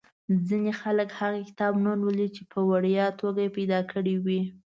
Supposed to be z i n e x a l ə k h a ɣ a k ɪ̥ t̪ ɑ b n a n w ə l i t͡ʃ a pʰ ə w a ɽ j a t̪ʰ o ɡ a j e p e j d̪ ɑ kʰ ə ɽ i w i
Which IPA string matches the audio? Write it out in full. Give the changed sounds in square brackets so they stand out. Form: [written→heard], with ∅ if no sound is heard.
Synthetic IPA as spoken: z i n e x a l ə k h a ɣ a k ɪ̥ t̪ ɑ b n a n w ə l i t͡ʃ [a→e] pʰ ə w a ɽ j [a→ɑ] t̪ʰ o ɡ a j e p [e→a] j d̪ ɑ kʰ ə ɽ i w i